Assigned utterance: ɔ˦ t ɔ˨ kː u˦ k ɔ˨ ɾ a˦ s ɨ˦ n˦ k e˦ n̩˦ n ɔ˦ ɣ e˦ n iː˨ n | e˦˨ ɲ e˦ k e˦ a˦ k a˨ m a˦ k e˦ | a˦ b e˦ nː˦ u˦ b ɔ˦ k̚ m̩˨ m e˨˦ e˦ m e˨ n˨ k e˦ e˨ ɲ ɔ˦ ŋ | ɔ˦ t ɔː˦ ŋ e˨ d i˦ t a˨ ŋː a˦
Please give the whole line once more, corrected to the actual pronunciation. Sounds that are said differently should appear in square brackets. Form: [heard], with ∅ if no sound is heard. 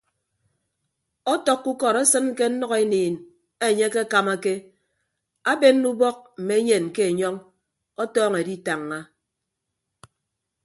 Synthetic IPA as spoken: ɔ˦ t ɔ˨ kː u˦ k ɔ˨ ɾ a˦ s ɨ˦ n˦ k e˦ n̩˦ n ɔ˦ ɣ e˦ n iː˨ n | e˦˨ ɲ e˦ k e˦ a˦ k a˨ m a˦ k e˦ | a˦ b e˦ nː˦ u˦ b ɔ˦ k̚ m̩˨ m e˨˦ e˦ [ɲ] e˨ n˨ k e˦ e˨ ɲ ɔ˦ ŋ | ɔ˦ t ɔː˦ ŋ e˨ d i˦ t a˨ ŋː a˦